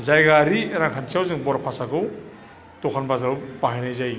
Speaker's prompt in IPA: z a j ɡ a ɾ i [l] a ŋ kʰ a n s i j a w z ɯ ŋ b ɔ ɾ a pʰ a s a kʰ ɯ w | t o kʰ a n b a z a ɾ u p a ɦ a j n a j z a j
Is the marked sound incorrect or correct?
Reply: incorrect